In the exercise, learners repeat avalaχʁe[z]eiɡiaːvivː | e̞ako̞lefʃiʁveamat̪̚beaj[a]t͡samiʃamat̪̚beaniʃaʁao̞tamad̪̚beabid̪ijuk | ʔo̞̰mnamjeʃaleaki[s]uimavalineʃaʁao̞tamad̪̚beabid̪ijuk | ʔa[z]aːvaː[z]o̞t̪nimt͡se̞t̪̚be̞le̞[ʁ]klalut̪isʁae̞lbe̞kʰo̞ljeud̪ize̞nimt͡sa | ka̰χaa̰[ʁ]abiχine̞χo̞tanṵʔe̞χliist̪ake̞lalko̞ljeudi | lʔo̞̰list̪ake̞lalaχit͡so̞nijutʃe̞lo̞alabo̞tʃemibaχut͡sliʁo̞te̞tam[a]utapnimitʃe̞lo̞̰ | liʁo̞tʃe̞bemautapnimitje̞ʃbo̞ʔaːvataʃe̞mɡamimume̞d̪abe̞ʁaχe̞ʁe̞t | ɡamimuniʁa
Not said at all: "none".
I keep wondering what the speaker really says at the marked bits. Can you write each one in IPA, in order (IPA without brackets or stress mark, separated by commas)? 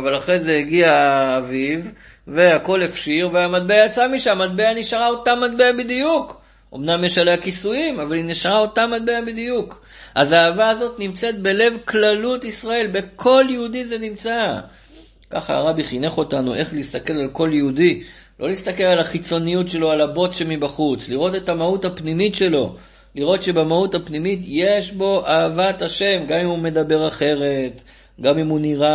z, a, s, z, z, v, ʁ, a